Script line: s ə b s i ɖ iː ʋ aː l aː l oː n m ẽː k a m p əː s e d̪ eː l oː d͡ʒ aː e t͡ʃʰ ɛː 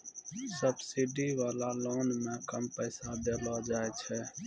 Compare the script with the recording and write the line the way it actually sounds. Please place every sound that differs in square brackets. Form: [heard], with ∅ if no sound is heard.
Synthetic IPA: s ə b s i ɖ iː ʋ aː l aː l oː n m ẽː k [ə] m p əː s [a] d̪ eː l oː d͡ʒ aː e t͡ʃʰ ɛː